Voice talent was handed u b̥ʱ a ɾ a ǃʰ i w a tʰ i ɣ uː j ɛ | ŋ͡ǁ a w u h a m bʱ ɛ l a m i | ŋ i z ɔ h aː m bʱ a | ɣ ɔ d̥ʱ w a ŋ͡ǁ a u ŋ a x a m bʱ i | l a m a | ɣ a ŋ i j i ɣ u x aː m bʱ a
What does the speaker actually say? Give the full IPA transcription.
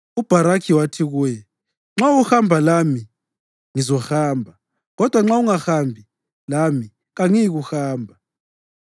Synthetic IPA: u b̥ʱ a ɾ a kʰ i w a tʰ i ɣ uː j ɛ | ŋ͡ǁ a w u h a m bʱ a l a m i | ŋ i z ɔ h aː m bʱ a | ɣ ɔ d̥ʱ w a ŋ͡ǁ a u ŋ a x a m bʱ i | l a m i | ɣ a ŋ i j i ɣ u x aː m bʱ a